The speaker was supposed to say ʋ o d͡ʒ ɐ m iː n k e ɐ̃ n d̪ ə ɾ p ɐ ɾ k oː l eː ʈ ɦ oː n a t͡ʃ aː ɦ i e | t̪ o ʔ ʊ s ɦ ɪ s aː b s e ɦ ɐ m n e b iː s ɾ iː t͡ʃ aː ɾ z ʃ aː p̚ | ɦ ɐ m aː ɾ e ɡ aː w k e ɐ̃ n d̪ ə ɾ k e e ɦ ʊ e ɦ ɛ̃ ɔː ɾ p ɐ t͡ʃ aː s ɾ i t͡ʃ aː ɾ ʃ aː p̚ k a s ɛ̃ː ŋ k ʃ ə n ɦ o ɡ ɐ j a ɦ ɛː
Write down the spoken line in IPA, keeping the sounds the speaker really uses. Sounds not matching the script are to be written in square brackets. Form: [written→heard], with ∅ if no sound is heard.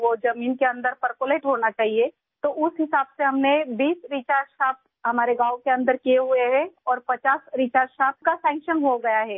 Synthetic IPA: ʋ o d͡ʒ ɐ m iː n k e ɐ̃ n d̪ ə ɾ p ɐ ɾ k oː l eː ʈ ɦ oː n a t͡ʃ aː ɦ i e | t̪ o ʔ ʊ s ɦ ɪ s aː b s e ɦ ɐ m n e b iː s ɾ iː t͡ʃ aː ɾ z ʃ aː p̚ | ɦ ɐ m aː ɾ e ɡ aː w k e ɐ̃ n d̪ ə ɾ k [e→i] e ɦ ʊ e ɦ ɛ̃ ɔː ɾ p ɐ t͡ʃ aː s ɾ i t͡ʃ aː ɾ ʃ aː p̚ k a s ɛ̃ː ŋ k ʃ ə n ɦ o ɡ ɐ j a ɦ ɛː